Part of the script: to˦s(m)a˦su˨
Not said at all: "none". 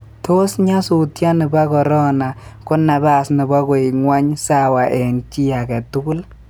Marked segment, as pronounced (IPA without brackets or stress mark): ɲ